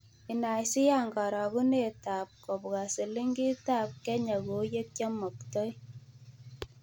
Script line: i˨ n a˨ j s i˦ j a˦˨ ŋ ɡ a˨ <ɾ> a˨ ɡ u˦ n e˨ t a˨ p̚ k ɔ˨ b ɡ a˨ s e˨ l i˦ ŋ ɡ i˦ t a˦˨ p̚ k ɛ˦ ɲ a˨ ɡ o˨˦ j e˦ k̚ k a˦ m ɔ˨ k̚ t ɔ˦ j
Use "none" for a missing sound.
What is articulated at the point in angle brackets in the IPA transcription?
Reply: ɾ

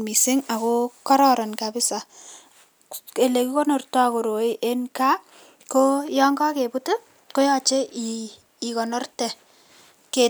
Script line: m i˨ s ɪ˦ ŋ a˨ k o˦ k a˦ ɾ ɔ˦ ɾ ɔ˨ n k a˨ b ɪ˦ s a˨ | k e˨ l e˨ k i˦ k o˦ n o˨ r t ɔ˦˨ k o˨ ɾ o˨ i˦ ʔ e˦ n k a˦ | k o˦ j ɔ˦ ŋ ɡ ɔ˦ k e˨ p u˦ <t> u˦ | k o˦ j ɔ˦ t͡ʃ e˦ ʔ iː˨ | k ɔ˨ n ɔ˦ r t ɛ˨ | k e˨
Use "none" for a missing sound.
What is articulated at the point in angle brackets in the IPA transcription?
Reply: t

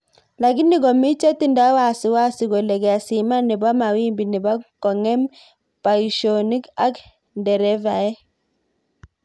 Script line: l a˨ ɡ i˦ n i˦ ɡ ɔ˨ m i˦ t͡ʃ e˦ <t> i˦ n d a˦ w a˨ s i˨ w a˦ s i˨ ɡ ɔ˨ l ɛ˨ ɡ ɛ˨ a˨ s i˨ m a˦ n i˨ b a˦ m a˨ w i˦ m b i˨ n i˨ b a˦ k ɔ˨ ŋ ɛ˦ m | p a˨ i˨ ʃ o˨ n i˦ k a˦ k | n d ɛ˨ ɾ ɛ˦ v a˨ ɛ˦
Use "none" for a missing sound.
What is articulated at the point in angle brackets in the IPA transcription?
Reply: t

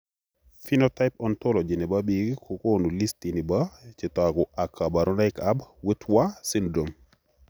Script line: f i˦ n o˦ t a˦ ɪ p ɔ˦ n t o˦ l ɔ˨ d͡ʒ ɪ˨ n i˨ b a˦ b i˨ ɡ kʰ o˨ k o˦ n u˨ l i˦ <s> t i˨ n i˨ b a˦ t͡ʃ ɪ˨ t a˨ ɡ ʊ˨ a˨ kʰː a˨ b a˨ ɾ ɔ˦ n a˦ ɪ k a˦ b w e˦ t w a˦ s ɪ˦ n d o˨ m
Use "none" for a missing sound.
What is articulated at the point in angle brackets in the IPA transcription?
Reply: s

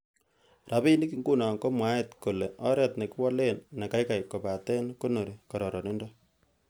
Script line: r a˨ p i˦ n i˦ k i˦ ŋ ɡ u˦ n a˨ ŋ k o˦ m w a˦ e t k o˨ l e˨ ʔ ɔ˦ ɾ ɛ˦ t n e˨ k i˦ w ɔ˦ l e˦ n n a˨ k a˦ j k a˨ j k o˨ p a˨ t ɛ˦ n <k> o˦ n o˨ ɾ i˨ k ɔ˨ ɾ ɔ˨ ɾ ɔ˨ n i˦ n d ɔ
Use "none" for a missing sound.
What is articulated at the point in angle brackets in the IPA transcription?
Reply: k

